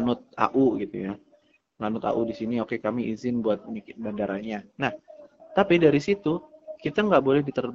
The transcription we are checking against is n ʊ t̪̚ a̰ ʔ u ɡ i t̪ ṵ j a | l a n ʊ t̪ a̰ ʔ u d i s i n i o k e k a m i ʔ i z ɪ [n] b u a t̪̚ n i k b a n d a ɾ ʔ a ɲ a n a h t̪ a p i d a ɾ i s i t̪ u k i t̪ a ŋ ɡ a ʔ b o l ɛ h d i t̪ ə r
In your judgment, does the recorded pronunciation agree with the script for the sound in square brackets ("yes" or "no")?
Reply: yes